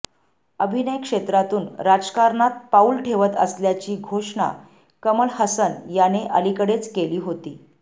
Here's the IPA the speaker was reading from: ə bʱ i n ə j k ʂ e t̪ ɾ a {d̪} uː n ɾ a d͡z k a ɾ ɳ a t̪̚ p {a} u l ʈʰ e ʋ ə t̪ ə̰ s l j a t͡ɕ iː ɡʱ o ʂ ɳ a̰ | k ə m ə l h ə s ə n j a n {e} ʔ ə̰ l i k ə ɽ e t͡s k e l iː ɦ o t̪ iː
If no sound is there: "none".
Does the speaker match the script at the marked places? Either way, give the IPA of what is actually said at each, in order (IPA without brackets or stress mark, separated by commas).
t̪, a, e